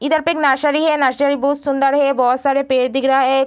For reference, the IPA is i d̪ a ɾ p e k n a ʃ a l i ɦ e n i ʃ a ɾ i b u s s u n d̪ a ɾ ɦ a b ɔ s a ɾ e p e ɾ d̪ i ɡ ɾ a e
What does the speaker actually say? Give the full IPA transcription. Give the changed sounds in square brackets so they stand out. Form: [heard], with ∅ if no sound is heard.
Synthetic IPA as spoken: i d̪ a ɾ p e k n a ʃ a [ɾ] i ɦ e n [a] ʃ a ɾ i b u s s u n d̪ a ɾ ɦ [e] b ɔ s a ɾ e p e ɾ d̪ i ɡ ɾ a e